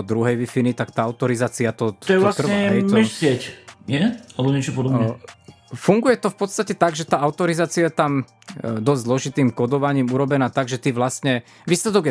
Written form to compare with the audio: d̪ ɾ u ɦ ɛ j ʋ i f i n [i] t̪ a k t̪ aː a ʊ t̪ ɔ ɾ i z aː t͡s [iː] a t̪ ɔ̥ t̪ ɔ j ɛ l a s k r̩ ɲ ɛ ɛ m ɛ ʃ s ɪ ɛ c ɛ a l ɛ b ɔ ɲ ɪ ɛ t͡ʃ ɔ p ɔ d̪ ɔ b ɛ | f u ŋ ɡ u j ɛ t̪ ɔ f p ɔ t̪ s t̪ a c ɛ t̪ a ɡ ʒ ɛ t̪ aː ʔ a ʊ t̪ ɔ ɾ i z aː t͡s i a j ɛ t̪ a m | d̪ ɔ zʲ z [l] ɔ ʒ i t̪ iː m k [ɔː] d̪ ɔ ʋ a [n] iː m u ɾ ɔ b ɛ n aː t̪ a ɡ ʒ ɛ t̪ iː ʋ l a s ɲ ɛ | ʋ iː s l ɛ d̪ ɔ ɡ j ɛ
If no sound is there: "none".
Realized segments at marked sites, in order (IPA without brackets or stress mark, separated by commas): i, i, l, ɔ, ɲ